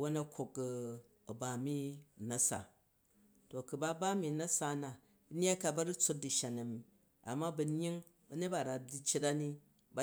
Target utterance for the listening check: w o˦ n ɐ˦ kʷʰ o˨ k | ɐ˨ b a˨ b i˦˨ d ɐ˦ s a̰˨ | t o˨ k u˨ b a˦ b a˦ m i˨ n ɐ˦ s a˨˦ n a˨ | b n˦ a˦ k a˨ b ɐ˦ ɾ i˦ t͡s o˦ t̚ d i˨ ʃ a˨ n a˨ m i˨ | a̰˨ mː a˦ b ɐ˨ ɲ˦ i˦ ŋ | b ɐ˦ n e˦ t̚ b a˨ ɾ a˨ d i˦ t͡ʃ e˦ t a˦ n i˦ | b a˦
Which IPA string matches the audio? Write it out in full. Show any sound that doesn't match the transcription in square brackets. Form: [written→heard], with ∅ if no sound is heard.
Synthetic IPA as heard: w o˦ n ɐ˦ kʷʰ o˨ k | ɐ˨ b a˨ [b→m] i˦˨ [d→n] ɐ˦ s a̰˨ | t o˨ k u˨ b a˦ b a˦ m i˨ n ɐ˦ s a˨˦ n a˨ | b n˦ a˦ k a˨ b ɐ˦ ɾ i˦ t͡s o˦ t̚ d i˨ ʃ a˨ n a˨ m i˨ | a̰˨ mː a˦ b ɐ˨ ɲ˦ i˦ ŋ | b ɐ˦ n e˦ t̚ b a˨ ɾ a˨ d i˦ t͡ʃ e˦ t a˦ n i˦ | b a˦